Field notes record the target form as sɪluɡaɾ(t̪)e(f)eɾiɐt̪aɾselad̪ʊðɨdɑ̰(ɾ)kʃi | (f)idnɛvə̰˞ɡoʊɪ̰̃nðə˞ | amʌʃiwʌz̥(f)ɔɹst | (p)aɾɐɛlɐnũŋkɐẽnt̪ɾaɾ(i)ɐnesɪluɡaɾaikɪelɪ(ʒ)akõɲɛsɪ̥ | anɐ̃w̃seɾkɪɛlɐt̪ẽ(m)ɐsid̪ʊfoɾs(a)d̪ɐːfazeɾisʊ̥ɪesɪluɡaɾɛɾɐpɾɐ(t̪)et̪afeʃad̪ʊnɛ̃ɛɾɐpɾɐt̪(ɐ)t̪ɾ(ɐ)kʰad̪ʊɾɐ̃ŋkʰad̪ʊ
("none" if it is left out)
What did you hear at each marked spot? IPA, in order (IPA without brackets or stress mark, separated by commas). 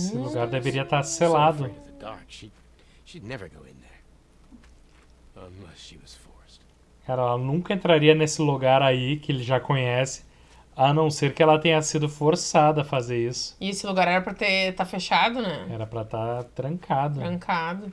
d̪, v, ɹ, ʃ, f, k, i, ʒ, ɲ, a, t̪, a, ɐ̃